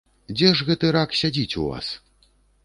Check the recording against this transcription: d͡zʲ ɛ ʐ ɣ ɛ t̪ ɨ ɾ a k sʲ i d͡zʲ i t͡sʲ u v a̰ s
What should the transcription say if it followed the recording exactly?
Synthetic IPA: d͡zʲ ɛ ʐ ɣ ɛ t̪ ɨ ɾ a k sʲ a d͡zʲ i t͡sʲ u v a̰ s